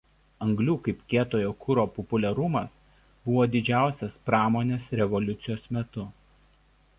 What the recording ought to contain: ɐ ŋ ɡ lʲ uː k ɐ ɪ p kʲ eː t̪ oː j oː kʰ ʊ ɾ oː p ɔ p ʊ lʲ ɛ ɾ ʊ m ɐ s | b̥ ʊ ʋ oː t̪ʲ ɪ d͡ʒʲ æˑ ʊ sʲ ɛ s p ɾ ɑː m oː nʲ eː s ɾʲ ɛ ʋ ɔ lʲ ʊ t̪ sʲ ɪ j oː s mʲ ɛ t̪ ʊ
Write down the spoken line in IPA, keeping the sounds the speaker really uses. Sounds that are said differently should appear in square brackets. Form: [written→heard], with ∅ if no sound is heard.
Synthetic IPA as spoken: ɐ ŋ ɡ lʲ uː k ɐ ɪ p kʲ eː t̪ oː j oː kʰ ʊ ɾ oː p ɔ p ʊ lʲ ɛ ɾ ʊ m ɐ s | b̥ ʊ ʋ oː [t̪ʲ→d̪ʲ] ɪ d͡ʒʲ æˑ ʊ sʲ ɛ s p ɾ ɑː m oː nʲ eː s ɾʲ ɛ ʋ ɔ lʲ ʊ t̪ sʲ ɪ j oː s mʲ ɛ t̪ ʊ

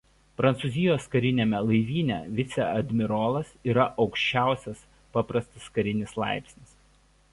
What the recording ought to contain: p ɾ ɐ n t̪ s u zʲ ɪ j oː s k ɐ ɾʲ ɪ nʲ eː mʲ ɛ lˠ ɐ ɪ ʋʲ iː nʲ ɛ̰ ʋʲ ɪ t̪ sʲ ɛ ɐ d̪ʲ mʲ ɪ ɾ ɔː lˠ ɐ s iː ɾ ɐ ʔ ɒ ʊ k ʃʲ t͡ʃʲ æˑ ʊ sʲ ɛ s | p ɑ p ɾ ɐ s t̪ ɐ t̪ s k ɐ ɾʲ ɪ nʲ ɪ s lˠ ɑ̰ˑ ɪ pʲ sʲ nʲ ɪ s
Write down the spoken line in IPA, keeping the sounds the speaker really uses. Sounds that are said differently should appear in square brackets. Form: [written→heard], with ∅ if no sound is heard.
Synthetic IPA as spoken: p ɾ ɐ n t̪ s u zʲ ɪ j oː s k ɐ ɾʲ ɪ nʲ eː mʲ ɛ lˠ ɐ ɪ ʋʲ iː nʲ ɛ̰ ʋʲ ɪ t̪ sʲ ɛ ɐ d̪ʲ mʲ ɪ ɾ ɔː lˠ ɐ s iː ɾ ɐ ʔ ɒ ʊ k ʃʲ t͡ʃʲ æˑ ʊ sʲ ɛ s | p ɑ p ɾ ɐ s t̪ ɐ [t̪→∅] s k ɐ ɾʲ ɪ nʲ ɪ s lˠ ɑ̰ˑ ɪ pʲ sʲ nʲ ɪ s

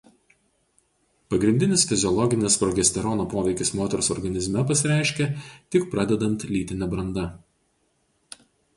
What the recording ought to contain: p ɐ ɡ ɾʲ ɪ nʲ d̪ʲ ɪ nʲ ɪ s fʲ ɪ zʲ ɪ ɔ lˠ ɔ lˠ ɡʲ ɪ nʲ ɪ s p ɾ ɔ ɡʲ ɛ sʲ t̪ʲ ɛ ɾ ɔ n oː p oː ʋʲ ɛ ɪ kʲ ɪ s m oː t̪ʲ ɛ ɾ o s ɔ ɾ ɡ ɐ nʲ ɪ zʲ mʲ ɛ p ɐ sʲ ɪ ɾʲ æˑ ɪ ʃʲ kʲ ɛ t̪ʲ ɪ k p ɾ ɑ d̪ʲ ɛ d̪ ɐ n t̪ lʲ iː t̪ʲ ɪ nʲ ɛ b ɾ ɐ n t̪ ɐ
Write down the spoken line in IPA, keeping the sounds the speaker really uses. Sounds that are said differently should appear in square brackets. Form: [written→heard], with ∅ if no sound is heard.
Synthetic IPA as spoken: p ɐ ɡ ɾʲ ɪ nʲ d̪ʲ ɪ nʲ ɪ s fʲ ɪ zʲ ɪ ɔ lˠ ɔ [lˠ→∅] ɡʲ ɪ nʲ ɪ s p ɾ ɔ ɡʲ ɛ sʲ t̪ʲ ɛ ɾ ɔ n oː p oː ʋʲ ɛ ɪ kʲ ɪ s m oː t̪ʲ ɛ ɾ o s ɔ ɾ ɡ ɐ nʲ ɪ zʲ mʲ ɛ p ɐ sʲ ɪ ɾʲ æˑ ɪ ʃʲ kʲ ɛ t̪ʲ ɪ k p ɾ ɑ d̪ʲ ɛ d̪ ɐ n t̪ lʲ iː t̪ʲ ɪ nʲ ɛ b ɾ ɐ n [t̪→d̪] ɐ

